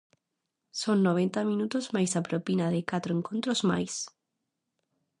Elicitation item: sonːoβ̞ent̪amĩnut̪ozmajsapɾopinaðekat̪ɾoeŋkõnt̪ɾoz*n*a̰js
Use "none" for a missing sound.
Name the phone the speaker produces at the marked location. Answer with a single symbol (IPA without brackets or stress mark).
m